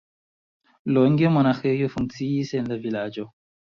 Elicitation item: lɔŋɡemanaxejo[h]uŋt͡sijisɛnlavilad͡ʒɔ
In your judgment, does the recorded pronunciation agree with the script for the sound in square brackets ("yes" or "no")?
no